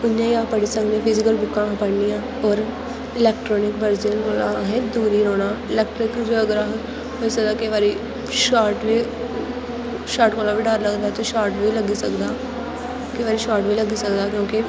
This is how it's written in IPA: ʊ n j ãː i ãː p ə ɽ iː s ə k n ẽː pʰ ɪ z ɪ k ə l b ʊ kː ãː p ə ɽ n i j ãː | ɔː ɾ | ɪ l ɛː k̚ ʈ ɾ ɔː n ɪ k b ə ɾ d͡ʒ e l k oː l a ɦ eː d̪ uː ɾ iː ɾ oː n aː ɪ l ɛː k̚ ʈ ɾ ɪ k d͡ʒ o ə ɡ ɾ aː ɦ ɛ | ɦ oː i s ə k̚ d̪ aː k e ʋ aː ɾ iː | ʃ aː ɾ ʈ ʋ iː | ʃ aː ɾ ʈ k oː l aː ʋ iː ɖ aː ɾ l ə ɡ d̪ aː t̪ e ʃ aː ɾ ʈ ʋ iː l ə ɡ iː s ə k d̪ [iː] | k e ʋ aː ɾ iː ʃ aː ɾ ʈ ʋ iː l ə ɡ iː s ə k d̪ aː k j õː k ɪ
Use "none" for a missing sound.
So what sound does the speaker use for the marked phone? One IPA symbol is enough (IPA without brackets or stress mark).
aː